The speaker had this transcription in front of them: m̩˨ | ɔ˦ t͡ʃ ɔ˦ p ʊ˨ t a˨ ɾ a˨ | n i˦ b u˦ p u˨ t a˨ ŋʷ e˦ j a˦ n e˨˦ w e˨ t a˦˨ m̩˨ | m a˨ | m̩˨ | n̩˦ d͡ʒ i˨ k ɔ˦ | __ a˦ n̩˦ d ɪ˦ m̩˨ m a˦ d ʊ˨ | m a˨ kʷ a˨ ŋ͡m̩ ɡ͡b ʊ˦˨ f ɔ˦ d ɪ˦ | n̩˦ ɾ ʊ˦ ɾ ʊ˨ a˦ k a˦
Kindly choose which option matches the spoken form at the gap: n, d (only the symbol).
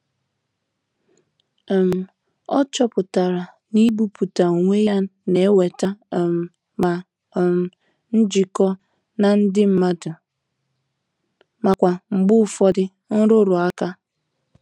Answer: n